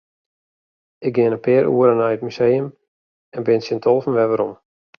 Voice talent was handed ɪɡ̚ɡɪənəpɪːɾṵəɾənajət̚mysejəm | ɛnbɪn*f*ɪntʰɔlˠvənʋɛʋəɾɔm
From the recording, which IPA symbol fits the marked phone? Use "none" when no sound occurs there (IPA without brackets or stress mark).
s